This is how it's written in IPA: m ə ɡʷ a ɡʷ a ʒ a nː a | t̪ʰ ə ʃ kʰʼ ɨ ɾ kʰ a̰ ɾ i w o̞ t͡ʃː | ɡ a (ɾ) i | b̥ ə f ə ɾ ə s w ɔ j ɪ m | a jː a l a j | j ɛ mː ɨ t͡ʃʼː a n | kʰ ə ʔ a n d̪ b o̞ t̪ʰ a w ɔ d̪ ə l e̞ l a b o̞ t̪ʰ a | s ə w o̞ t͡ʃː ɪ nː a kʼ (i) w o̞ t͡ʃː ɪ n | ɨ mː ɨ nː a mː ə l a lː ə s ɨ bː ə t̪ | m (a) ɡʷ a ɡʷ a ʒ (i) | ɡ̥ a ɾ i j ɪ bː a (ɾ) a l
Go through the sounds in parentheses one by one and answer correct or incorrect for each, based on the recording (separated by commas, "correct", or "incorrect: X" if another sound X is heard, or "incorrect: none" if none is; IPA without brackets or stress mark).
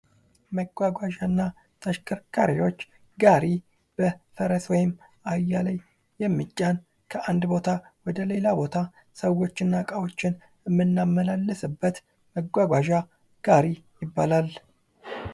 correct, incorrect: a, incorrect: ə, incorrect: a, incorrect: l